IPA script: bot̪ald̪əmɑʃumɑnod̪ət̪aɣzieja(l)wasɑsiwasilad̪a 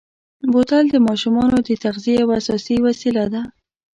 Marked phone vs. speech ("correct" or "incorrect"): incorrect